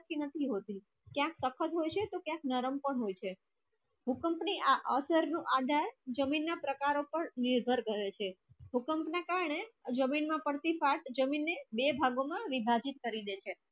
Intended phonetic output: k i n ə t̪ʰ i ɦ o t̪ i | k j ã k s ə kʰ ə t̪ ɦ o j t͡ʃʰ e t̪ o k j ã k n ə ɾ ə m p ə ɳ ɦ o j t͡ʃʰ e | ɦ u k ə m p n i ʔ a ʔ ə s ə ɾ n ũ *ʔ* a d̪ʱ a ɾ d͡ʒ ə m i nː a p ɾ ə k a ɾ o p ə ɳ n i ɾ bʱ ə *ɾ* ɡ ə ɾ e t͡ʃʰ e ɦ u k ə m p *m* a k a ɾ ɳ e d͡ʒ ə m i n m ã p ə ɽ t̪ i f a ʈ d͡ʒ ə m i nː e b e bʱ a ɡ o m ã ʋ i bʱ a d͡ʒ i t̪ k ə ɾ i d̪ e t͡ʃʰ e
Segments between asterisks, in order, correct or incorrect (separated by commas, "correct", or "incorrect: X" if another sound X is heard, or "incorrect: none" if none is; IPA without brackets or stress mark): correct, correct, incorrect: n